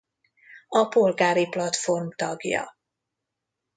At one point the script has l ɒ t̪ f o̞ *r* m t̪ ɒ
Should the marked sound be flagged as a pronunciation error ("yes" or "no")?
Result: no